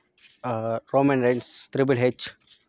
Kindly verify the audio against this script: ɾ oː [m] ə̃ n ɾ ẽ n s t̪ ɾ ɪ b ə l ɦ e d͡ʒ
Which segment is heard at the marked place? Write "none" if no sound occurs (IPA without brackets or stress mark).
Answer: m